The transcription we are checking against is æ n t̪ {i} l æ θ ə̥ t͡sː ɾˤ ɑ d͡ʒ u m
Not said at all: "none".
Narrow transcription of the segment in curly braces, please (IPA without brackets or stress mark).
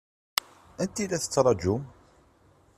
i